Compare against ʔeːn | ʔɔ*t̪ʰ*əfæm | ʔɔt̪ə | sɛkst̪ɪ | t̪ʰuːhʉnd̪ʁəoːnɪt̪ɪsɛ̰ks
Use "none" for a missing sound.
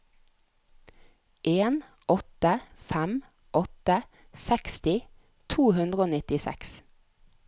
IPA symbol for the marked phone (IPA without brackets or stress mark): t̪